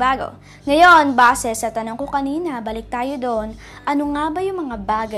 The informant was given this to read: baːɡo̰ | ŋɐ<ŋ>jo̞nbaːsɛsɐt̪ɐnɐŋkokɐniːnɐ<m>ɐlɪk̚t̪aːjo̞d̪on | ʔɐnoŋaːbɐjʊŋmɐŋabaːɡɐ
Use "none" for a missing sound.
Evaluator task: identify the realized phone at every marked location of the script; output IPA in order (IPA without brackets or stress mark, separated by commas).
none, b